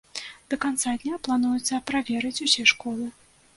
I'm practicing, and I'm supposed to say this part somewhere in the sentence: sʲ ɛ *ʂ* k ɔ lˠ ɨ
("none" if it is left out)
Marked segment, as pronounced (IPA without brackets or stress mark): ʂ